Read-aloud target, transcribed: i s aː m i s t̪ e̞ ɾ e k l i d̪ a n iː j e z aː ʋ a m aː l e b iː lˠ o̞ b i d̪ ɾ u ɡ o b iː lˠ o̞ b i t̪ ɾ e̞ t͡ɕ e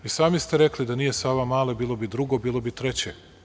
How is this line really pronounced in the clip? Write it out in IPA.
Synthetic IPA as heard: i s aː m i s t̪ e̞ ɾ e k l i d̪ a n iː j e s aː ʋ a m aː l e b iː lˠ o̞ b i d̪ ɾ u ɡ o b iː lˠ o̞ b i t̪ ɾ e̞ t͡ɕ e